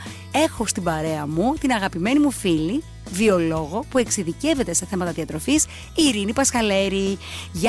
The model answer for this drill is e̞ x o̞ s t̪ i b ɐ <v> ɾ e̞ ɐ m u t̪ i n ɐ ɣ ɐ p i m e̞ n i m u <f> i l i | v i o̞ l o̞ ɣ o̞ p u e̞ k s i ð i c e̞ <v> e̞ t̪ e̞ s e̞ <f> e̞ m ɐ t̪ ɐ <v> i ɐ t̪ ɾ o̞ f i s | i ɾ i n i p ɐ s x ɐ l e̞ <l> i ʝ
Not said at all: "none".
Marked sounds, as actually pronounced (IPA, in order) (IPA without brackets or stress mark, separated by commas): none, f, v, θ, ð, ɾ